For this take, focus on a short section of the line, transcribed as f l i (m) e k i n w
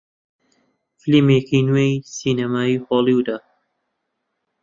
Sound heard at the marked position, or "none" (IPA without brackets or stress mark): m